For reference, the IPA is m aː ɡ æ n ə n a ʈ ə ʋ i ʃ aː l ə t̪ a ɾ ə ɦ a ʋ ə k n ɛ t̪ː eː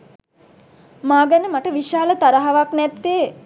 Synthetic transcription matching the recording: m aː ɡ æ n ə m a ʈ ə ʋ i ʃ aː l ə t̪ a ɾ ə ɦ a ʋ a k n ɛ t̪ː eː